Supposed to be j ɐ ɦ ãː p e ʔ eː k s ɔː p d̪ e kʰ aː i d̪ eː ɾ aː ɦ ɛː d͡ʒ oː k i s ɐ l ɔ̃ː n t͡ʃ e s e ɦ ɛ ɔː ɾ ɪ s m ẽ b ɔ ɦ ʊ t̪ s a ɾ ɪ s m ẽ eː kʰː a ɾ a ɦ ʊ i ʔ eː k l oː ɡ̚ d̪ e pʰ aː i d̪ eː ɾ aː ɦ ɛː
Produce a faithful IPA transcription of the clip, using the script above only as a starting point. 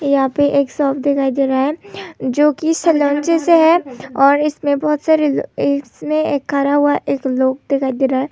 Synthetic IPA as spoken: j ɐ ɦ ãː p e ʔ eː k s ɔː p d̪ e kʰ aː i d̪ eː ɾ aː ɦ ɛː d͡ʒ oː k i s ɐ l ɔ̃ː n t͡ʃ e s e ɦ ɛ ɔː ɾ ɪ s m ẽ b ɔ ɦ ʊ t̪ s a ɾ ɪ s m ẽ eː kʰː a ɾ a ɦ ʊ a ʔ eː k l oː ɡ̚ d̪ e kʰ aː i d̪ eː ɾ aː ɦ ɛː

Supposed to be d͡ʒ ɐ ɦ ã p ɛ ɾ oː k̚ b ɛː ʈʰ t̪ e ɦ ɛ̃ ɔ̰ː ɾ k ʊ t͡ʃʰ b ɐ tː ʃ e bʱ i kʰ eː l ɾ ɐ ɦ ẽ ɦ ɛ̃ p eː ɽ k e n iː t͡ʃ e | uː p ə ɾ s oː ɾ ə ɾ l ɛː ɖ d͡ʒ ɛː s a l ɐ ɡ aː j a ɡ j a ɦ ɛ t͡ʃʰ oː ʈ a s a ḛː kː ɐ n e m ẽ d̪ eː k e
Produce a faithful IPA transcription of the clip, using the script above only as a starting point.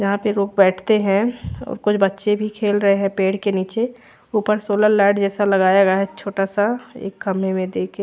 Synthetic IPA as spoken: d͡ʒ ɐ ɦ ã p e ɾ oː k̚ b ɛː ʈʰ t̪ e ɦ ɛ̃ ɔ̰ː ɾ k ʊ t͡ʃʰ b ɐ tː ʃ e bʱ i kʰ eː l ɾ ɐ ɦ e ɦ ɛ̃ p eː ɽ k e n iː t͡ʃ e | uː p ə ɾ s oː l ə ɾ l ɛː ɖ d͡ʒ ɛː s a l ɐ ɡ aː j a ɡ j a ɦ ɛ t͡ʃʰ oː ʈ a s a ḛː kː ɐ m e m ẽ d̪ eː k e

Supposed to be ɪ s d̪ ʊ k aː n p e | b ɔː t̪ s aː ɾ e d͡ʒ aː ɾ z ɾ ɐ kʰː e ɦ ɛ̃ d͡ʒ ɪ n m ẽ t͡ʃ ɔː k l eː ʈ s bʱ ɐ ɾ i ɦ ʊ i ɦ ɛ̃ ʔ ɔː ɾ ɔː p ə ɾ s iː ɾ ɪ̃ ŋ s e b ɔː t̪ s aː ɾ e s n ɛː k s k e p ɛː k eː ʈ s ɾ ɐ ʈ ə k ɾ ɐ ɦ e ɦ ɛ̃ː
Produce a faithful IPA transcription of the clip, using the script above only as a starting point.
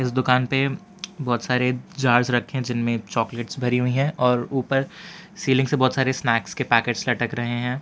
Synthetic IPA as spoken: ɪ s d̪ ʊ k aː n p e | b ɔː t̪ s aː ɾ e d͡ʒ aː ɾ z ɾ ɐ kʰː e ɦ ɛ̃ d͡ʒ ɪ n m ẽ t͡ʃ ɔː k l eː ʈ s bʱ ɐ ɾ i ɦ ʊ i ɦ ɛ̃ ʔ ɔː ɾ uː p ə ɾ s iː l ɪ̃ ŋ s e b ɔː t̪ s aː ɾ e s n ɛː k s k e p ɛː k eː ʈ s l ɐ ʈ ə k ɾ ɐ ɦ e ɦ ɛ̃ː

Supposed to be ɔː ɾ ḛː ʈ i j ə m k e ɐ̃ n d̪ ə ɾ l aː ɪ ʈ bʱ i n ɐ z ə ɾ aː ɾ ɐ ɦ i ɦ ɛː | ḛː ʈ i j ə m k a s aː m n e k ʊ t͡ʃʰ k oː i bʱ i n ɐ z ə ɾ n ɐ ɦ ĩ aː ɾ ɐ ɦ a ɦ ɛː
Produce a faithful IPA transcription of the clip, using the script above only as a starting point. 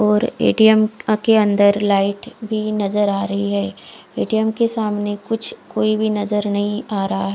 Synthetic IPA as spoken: ɔː ɾ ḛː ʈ i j ə m k e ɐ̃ n d̪ ə ɾ l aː ɪ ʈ bʱ i n ɐ z ə ɾ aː ɾ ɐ ɦ i ɦ ɛː | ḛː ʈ i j ə m k e s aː m n e k ʊ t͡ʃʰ k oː i bʱ i n ɐ z ə ɾ n ɐ ɦ ĩ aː ɾ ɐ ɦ a ɦ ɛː

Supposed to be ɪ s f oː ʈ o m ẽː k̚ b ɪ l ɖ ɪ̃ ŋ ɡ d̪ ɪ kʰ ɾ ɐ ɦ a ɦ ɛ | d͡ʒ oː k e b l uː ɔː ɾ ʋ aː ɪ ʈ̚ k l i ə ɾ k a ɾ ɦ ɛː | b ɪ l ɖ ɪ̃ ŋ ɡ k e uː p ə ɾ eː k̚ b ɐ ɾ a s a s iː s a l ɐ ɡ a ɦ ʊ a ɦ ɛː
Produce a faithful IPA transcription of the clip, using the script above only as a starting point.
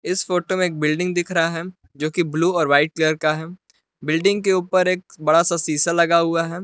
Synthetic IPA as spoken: ɪ s f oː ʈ o m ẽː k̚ b ɪ l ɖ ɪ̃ ŋ ɡ d̪ ɪ kʰ ɾ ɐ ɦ a ɦ ɛ | d͡ʒ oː k i b l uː ɔː ɾ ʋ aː ɪ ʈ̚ k l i ə ɾ k a ɦ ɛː | b ɪ l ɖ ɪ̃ ŋ ɡ k e uː p ə ɾ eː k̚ b ɐ ɽ a s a s iː s a l ɐ ɡ a ɦ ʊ a ɦ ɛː

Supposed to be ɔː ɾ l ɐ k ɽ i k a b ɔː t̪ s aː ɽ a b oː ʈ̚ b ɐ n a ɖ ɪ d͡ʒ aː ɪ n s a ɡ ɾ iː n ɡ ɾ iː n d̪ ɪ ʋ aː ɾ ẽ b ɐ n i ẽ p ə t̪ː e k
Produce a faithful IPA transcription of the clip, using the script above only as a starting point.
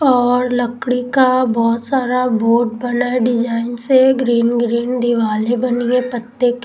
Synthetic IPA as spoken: ɔː ɾ l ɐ k ɽ i k a b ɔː t̪ s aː ɾ a b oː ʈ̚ b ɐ n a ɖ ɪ d͡ʒ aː ɪ n s e ɡ ɾ iː n ɡ ɾ iː n d̪ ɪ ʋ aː l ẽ b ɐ n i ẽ p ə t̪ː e k

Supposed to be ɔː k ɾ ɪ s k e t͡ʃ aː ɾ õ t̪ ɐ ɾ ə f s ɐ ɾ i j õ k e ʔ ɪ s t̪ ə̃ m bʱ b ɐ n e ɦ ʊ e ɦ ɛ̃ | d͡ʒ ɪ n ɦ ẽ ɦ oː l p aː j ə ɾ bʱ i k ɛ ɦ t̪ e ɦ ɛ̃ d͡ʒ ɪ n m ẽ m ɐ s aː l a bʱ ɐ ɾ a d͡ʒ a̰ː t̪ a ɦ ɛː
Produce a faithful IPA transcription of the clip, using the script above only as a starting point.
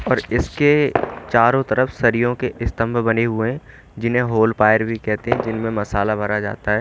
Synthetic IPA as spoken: ɔː ɾ ɪ s k e t͡ʃ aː ɾ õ t̪ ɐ ɾ ə f s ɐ ɾ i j õ k e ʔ ɪ s t̪ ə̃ m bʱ b ɐ n e ɦ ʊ e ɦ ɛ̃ | d͡ʒ ɪ n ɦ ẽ ɦ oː l p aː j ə ɾ bʱ i k ɛ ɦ t̪ e ɦ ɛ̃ d͡ʒ ɪ n m ẽ m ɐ s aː l a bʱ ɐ ɾ a d͡ʒ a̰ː t̪ a ɦ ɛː

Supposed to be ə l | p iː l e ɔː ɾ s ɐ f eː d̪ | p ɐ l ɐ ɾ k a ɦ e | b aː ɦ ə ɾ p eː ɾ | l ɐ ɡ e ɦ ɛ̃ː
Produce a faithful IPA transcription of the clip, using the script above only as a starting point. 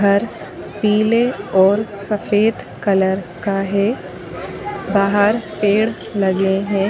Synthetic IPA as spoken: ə ɾ | p iː l e ɔː ɾ s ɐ f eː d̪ | k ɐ l ə ɾ k a ɦ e | b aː ɦ ə ɾ p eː ɽ | l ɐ ɡ e ɦ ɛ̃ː

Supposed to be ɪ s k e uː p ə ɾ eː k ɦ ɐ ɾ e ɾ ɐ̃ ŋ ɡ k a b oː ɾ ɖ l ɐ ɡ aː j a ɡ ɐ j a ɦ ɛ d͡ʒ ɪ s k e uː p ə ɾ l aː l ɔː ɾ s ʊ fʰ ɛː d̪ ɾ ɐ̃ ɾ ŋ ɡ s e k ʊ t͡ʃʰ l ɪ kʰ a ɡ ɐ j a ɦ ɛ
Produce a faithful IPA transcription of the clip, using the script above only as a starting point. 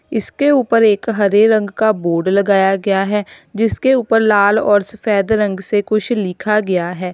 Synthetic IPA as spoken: ɪ s k e uː p ə ɾ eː k ɦ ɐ ɾ e ɾ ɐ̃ ŋ ɡ k a b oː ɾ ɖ l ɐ ɡ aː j a ɡ ɐ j a ɦ ɛ d͡ʒ ɪ s k e uː p ə ɾ l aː l ɔː ɾ s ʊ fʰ ɛː d̪ ɾ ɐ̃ ŋ ɡ s e k ʊ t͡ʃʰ l ɪ kʰ a ɡ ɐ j a ɦ ɛː

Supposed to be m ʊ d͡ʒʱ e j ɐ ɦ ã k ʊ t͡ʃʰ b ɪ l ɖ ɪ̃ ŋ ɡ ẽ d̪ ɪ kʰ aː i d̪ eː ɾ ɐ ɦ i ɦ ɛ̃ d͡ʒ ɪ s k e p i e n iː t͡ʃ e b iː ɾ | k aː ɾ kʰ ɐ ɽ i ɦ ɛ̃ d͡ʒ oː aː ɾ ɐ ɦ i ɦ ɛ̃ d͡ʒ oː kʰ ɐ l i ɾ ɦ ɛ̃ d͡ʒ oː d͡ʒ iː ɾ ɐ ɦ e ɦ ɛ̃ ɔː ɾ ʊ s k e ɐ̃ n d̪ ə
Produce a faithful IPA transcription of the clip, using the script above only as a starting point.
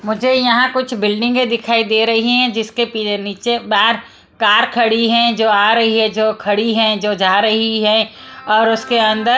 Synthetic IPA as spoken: m ʊ d͡ʒʱ e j ɐ ɦ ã k ʊ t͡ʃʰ b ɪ l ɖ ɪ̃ ŋ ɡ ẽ d̪ ɪ kʰ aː i d̪ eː ɾ ɐ ɦ i ɦ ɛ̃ d͡ʒ ɪ s k e p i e n iː t͡ʃ e b aː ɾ | k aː ɾ kʰ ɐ ɽ i ɦ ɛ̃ d͡ʒ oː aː ɾ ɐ ɦ i ɦ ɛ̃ d͡ʒ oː kʰ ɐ ɽ i ɦ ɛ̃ d͡ʒ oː d͡ʒ aː ɾ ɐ ɦ i ɦ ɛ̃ ɔː ɾ ʊ s k e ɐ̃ n d̪ ə

